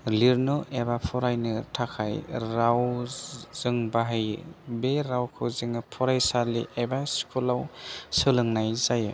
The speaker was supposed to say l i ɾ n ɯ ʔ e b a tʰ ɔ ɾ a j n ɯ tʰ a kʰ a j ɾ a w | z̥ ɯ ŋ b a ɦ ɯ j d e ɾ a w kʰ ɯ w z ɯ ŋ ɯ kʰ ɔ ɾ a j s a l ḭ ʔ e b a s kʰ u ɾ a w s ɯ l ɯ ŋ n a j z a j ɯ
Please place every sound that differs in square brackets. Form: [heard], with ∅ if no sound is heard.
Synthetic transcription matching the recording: l i ɾ n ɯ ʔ e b a [pʰ] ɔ ɾ a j n ɯ tʰ a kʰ a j ɾ a w | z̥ ɯ ŋ b a ɦ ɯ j [b] e ɾ a w kʰ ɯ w z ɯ ŋ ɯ [pʰ] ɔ ɾ a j s a l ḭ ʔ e b a s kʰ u [l] a w s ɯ l ɯ ŋ n a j z a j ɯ